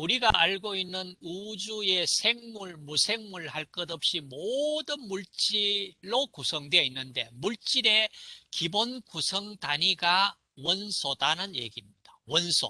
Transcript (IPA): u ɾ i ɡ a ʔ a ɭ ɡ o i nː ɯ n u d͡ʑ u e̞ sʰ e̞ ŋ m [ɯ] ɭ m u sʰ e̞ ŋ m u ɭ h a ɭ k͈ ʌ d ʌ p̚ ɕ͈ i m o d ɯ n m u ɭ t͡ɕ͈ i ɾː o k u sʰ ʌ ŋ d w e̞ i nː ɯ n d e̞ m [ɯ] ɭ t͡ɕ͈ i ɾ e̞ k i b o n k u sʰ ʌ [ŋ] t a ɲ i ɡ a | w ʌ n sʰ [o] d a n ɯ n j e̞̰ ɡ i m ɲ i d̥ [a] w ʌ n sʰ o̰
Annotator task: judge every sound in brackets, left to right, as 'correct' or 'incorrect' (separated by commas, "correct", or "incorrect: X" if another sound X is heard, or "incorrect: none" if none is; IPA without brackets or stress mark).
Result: incorrect: u, incorrect: u, correct, correct, correct